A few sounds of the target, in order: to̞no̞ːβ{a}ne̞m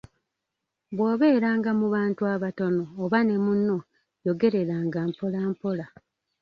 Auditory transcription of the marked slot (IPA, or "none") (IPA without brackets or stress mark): a